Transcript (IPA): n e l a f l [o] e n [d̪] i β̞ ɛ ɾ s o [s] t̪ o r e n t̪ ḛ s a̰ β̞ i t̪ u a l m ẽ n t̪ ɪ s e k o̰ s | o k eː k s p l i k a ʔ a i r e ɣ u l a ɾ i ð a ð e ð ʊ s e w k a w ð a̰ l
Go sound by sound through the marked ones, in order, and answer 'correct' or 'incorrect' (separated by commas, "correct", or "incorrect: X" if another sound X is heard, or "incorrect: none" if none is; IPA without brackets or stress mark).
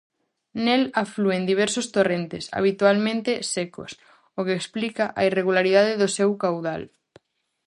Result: incorrect: u, correct, correct